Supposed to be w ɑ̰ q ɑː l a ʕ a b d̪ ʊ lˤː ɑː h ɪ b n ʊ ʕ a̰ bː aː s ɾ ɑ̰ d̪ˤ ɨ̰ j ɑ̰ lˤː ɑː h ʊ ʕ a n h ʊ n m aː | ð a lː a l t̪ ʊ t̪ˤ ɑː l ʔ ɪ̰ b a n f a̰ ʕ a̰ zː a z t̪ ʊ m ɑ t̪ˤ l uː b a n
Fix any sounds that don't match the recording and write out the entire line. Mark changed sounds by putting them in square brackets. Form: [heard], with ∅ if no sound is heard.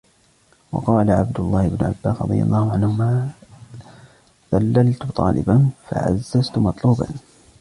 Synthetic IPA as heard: w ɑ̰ q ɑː l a ʕ a b d̪ ʊ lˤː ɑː h ɪ b n ʊ ʕ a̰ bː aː s ɾ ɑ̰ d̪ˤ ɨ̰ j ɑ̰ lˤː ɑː h ʊ ʕ a n h ʊ [∅] m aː | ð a lː a l t̪ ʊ t̪ˤ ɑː l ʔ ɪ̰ b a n f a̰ ʕ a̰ zː a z t̪ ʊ m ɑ t̪ˤ l uː b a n